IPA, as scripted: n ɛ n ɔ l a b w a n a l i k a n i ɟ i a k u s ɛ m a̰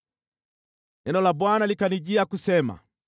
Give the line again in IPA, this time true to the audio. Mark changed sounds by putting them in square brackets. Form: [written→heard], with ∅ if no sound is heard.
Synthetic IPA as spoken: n ɛ n ɔ l a b w a n a l i k a n i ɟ i a k u s ɛ m a̰